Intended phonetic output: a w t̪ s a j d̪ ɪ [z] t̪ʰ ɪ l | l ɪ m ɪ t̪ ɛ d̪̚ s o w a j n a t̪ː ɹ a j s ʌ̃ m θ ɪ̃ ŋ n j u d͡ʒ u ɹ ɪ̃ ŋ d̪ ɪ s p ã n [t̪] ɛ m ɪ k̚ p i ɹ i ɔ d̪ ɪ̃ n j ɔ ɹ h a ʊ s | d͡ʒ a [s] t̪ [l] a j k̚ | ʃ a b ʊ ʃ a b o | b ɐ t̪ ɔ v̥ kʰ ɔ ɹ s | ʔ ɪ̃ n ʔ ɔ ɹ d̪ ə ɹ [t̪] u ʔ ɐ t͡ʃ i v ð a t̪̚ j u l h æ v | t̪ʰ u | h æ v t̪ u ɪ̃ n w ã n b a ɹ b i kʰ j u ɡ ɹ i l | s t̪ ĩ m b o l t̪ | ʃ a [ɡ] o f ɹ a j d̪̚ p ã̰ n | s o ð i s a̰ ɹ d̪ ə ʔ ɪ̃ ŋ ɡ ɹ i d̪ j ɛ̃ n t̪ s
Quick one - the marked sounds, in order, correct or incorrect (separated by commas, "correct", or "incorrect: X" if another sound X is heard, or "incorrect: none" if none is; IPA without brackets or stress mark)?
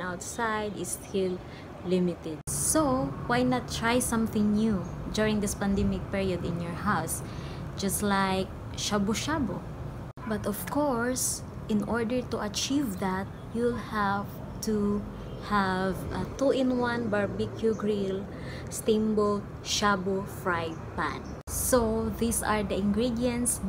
incorrect: s, incorrect: d̪, correct, correct, correct, incorrect: b